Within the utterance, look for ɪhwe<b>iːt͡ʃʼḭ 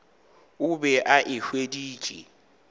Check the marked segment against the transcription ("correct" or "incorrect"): incorrect